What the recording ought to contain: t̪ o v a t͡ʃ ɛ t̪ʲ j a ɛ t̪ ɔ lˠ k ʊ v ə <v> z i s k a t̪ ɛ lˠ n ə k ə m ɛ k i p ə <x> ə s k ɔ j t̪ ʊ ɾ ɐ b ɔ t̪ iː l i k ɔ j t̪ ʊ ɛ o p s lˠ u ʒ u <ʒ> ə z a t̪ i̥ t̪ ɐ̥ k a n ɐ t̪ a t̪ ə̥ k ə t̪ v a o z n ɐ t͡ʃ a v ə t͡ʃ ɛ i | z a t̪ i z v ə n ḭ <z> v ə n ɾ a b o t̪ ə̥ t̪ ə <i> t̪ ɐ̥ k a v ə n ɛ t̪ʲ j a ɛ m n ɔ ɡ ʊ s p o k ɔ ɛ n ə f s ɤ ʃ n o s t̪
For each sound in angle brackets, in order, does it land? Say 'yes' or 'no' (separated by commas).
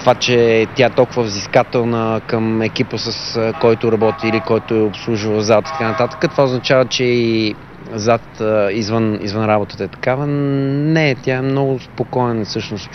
yes, no, no, yes, no